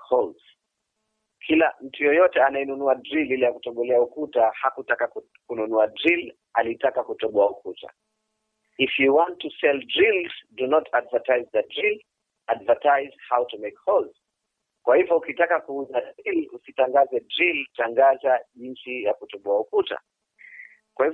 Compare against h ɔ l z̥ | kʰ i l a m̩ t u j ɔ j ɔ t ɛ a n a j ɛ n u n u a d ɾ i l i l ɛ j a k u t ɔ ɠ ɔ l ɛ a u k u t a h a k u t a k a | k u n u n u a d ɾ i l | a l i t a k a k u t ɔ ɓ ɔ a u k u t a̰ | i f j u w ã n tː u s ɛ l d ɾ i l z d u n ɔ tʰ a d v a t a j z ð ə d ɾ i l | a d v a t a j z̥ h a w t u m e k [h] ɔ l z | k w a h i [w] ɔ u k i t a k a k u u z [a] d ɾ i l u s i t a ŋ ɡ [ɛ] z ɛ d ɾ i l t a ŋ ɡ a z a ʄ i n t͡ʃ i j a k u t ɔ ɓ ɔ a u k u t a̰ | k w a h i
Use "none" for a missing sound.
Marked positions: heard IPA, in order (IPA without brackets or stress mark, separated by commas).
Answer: h, v, a, a